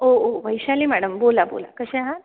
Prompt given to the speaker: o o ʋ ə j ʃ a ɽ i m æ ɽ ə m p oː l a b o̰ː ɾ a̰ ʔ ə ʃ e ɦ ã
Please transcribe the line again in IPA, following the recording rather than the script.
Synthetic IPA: o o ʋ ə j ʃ a l i m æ ɽ ə m b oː l a b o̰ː l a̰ k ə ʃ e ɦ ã